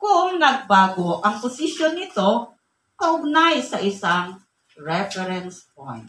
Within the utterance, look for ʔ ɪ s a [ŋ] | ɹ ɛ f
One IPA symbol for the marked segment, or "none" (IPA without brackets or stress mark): ŋ